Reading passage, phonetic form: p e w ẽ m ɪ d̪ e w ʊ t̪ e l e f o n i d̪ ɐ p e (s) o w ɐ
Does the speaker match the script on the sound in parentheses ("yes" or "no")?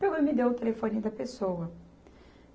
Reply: yes